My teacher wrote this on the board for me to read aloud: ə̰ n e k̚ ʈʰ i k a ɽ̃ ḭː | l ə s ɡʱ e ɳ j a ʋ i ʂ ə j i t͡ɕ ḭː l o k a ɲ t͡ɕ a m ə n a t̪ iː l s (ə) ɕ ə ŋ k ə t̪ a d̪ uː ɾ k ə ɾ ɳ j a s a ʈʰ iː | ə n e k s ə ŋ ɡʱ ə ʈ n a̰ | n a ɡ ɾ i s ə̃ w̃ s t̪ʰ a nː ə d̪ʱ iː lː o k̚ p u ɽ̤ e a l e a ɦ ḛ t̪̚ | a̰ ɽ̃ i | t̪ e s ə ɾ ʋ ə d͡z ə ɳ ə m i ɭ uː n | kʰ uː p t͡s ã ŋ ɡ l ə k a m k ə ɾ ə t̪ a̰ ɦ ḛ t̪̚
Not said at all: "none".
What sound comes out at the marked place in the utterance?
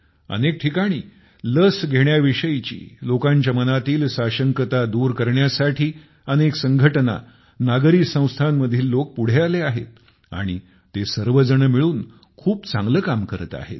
a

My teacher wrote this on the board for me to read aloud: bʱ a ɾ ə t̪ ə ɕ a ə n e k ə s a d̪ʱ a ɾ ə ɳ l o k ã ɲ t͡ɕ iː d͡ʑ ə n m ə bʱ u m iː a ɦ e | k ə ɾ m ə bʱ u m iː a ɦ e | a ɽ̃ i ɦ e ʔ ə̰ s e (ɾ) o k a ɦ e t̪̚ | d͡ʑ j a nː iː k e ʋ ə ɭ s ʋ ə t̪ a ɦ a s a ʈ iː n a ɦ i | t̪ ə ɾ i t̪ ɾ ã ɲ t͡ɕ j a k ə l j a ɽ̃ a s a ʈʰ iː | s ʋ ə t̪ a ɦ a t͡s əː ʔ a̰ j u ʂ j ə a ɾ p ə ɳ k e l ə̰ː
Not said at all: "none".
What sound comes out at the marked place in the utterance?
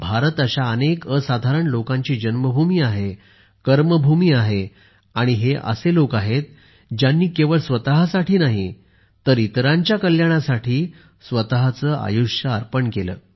l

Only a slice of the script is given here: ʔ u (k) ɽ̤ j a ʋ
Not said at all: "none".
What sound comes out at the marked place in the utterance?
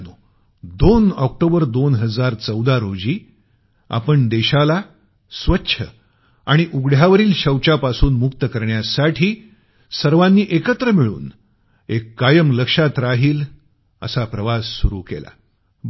ɡ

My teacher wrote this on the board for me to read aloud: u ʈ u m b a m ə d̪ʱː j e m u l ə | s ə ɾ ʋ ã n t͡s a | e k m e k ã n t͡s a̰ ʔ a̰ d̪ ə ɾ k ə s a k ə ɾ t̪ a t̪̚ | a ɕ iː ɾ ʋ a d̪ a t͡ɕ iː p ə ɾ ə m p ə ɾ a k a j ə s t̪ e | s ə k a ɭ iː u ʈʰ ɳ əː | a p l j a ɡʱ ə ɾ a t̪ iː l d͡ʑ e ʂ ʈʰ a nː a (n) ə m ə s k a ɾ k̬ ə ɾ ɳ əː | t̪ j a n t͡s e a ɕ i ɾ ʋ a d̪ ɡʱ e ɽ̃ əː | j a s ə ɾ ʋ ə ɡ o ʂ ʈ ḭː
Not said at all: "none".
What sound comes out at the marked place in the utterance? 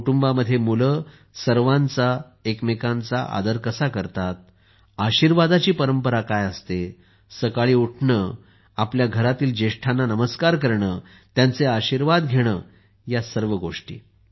n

